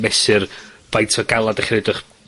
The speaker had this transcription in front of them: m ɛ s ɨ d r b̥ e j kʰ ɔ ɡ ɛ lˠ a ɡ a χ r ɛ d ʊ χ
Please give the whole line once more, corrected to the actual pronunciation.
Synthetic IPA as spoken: m ɛ s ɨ r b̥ a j tʰ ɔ ɡ a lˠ a d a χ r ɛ d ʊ χ